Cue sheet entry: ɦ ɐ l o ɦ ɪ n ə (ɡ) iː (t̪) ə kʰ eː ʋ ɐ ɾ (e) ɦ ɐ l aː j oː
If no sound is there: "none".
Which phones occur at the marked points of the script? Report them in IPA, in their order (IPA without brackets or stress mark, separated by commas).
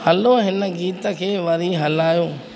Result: ɡ, t̪, i